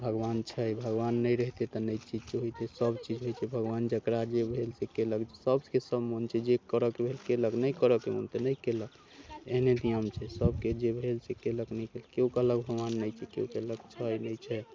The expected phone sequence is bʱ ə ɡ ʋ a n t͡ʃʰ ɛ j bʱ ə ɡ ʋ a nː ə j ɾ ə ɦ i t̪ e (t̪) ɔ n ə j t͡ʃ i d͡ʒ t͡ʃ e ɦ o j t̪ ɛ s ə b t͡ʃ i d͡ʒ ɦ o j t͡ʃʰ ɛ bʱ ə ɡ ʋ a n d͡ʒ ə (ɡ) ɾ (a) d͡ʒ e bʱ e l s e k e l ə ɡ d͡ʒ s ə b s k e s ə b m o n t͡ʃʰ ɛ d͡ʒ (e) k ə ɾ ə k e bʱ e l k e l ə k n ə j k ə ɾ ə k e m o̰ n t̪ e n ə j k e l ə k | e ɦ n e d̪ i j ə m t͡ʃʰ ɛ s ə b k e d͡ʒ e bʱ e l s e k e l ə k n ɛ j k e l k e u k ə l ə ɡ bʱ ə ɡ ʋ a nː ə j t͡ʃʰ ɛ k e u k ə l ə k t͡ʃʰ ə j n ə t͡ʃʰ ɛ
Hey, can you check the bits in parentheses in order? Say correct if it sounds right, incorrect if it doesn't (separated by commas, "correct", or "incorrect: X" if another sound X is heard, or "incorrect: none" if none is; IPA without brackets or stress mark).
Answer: correct, incorrect: k, correct, correct